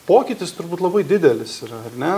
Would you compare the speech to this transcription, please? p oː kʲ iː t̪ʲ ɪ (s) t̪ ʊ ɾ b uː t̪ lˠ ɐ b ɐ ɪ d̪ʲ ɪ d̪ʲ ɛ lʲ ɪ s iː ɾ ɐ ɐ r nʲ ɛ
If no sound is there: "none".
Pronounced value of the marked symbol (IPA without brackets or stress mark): s